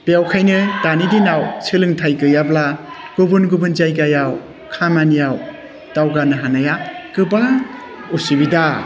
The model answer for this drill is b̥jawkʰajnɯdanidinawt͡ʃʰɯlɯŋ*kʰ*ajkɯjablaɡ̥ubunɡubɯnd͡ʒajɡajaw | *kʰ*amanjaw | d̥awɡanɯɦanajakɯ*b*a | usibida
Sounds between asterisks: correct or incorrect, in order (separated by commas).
incorrect, correct, correct